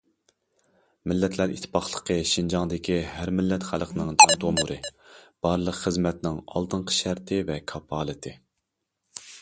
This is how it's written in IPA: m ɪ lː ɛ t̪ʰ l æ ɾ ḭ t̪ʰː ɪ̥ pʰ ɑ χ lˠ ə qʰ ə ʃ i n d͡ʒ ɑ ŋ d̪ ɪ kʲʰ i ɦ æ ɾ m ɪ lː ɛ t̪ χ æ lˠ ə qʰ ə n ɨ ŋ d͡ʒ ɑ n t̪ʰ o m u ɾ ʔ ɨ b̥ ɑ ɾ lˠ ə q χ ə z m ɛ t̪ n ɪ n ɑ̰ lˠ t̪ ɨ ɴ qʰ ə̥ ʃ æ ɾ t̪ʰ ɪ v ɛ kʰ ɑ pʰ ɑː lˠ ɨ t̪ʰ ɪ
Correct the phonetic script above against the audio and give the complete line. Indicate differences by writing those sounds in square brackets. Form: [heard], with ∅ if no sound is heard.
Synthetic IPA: m ɪ lː ɛ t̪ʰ l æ ɾ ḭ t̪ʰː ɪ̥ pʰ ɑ χ lˠ ə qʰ ə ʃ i n d͡ʒ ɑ ŋ d̪ ɪ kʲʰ i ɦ æ ɾ m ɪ lː ɛ t̪ χ æ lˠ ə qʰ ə n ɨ ŋ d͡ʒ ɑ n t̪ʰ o m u ɾ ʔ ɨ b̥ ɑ ɾ lˠ ə q χ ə z m ɛ t̪ n ɪ [ŋ] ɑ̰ lˠ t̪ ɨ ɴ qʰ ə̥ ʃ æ ɾ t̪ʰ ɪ v ɛ kʰ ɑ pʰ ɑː lˠ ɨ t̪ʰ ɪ